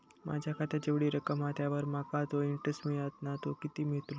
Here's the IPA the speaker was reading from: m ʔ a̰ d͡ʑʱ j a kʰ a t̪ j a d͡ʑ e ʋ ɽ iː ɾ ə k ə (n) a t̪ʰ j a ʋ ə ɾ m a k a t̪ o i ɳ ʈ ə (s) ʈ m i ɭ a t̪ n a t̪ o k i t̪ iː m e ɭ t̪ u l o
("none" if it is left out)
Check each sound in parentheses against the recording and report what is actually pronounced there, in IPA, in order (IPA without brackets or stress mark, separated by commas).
m, s